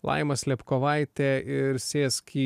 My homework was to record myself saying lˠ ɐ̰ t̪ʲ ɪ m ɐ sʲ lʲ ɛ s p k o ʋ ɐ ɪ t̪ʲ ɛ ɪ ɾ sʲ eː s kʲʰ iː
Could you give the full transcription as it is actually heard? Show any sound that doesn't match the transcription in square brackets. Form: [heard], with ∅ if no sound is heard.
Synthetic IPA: lˠ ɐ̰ [∅] ɪ m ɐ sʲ lʲ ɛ [∅] p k o ʋ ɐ ɪ t̪ʲ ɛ ɪ ɾ sʲ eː s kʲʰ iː

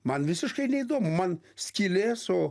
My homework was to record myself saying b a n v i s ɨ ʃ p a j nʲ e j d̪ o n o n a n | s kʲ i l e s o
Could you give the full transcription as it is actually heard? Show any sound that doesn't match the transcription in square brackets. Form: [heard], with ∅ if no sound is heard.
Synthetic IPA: [m] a n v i s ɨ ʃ [k] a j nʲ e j d̪ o [m] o [m] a n | s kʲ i l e s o

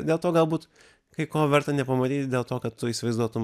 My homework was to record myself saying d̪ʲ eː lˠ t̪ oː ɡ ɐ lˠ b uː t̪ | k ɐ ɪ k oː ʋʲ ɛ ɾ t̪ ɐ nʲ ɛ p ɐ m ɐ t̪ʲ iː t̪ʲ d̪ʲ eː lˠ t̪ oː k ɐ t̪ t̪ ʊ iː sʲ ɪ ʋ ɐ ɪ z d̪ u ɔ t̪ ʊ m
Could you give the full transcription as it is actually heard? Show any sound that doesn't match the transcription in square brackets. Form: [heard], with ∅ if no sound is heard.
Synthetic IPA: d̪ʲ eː lˠ t̪ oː ɡ ɐ lˠ b uː t̪ | k ɐ ɪ k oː ʋʲ ɛ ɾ t̪ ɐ nʲ ɛ p ɐ m ɐ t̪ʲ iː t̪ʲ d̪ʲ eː lˠ t̪ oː k ɐ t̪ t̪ ʊ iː sʲ ɪ ʋ ɐ ɪ z d̪ u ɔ t̪ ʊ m

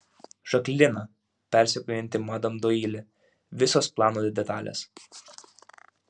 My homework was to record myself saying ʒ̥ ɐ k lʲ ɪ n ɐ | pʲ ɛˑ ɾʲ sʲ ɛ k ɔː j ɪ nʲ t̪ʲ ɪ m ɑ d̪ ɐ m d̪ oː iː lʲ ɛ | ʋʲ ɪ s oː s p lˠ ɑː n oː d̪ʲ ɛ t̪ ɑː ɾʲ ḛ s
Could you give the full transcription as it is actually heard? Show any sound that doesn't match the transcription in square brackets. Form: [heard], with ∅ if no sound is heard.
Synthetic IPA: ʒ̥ ɐ k lʲ ɪ n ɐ | pʲ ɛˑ ɾʲ sʲ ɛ k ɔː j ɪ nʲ t̪ʲ ɪ m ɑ d̪ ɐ m d̪ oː iː lʲ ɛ | ʋʲ ɪ s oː s p lˠ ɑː n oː d̪ʲ ɛ t̪ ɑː [lʲ] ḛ s

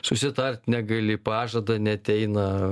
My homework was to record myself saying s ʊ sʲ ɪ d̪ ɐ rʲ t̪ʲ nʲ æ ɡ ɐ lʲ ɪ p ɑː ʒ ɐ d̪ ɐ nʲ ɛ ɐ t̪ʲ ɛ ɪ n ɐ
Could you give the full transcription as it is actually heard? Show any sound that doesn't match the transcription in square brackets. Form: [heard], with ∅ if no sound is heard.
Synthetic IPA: s ʊ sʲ ɪ [t̪] ɐ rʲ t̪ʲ nʲ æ ɡ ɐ lʲ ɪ p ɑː ʒ ɐ d̪ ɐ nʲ ɛ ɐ t̪ʲ ɛ ɪ n ɐ

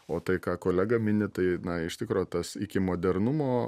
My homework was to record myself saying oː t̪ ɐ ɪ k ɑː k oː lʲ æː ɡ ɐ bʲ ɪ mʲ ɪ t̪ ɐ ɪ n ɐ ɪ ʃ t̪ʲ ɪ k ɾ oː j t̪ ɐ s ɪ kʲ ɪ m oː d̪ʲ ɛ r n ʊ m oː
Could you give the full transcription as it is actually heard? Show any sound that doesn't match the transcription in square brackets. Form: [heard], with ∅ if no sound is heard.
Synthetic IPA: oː t̪ ɐ ɪ k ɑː k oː lʲ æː ɡ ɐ [mʲ] ɪ [nʲ] ɪ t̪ ɐ ɪ n ɐ ɪ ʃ t̪ʲ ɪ k ɾ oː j t̪ ɐ s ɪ kʲ ɪ m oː d̪ʲ ɛ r n ʊ m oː

